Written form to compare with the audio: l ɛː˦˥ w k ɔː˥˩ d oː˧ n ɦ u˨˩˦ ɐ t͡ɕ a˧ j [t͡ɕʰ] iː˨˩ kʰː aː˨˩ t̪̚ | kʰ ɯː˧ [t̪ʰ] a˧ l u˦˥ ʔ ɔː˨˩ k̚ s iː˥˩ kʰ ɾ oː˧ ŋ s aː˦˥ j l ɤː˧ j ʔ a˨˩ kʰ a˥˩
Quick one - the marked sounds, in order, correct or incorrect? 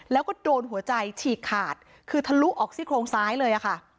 correct, correct

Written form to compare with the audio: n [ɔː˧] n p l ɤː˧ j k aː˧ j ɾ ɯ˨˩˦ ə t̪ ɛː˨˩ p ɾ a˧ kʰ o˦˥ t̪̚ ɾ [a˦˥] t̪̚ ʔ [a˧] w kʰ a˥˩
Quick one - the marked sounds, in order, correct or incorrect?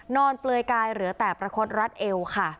correct, correct, incorrect

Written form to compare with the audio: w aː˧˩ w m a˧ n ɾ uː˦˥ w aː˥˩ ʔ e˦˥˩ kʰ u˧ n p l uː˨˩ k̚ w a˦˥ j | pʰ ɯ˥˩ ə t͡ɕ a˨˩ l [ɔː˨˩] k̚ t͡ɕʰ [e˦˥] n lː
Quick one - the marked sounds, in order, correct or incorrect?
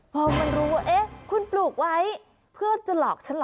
correct, incorrect

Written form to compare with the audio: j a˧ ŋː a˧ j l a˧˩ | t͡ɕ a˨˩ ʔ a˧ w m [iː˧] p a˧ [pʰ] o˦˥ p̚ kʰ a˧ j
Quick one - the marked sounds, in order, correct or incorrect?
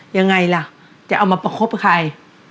incorrect, incorrect

